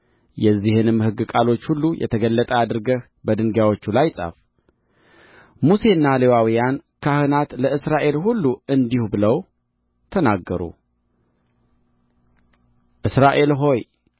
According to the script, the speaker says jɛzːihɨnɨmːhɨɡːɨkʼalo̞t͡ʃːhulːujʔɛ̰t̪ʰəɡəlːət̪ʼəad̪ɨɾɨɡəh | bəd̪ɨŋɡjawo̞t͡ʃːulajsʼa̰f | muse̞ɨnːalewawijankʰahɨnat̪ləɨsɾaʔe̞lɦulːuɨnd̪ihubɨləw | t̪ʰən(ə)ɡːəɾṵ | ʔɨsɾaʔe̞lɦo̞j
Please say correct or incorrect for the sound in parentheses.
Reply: incorrect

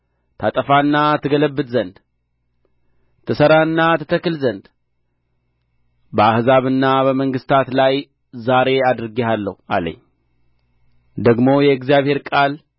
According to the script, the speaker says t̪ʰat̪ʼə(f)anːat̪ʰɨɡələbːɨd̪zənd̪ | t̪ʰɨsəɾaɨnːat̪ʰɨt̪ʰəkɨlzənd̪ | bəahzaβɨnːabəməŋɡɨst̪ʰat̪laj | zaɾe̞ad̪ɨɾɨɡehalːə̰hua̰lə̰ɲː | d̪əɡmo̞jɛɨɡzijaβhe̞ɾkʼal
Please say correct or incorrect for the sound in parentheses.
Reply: correct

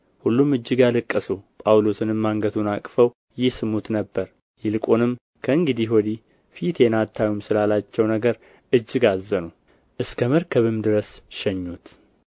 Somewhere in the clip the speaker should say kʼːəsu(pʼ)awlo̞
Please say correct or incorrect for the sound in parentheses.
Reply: correct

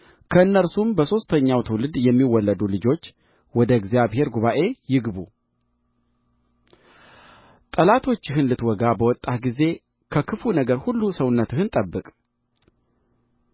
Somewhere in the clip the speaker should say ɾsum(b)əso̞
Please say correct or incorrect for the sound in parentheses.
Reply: correct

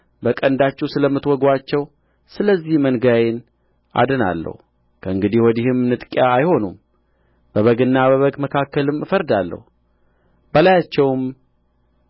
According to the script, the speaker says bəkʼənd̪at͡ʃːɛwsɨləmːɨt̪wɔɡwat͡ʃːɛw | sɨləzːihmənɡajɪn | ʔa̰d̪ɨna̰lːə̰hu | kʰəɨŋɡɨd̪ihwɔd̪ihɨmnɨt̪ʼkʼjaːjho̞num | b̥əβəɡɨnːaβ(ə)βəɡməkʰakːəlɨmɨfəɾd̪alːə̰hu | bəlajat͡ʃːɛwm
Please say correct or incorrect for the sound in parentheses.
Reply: correct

